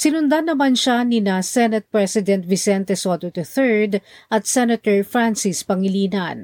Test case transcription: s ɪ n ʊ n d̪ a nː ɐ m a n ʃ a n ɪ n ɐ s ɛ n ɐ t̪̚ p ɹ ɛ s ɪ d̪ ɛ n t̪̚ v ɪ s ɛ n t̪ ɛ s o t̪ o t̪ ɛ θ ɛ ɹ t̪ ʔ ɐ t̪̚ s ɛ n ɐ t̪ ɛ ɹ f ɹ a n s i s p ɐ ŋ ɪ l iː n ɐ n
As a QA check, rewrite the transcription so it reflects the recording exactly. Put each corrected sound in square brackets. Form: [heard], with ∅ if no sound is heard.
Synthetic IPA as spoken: s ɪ n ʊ n d̪ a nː ɐ m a n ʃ a n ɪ n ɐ s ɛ n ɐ t̪̚ p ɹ ɛ s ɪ d̪ ɛ n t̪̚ v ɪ s ɛ n t̪ ɛ s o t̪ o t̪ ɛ θ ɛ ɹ [d̪] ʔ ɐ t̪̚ s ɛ n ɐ t̪ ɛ ɹ f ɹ a n s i s p ɐ ŋ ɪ l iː n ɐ n